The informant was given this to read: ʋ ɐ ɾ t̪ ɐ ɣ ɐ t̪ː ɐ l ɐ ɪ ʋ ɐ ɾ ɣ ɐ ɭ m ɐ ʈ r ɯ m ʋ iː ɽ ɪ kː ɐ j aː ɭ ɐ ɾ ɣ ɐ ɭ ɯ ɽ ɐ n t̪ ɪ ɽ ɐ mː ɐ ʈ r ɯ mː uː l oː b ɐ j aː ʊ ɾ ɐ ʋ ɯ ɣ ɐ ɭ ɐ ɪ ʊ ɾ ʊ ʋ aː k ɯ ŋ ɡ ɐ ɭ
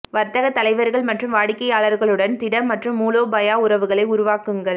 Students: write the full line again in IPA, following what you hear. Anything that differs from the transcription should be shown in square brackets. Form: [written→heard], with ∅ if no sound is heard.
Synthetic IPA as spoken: ʋ ɐ ɾ t̪ ɐ ɣ ɐ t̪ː ɐ l ɐ ɪ ʋ ɐ ɾ ɣ ɐ ɭ m ɐ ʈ r ɯ m ʋ [iː→aː] ɽ ɪ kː ɐ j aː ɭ ɐ ɾ ɣ ɐ ɭ ɯ ɽ ɐ n t̪ ɪ ɽ ɐ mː ɐ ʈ r ɯ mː uː l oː b ɐ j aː ʊ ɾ ɐ ʋ ɯ ɣ ɐ ɭ ɐ ɪ ʊ ɾ ʊ ʋ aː k ɯ ŋ ɡ ɐ ɭ